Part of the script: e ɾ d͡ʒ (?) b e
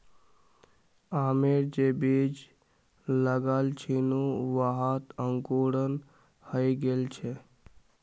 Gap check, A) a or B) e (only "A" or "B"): B